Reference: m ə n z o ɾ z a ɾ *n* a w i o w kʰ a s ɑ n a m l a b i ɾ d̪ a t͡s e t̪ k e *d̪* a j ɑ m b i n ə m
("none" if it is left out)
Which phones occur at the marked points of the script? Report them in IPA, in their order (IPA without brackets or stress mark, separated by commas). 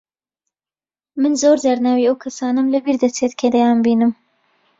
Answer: n, d̪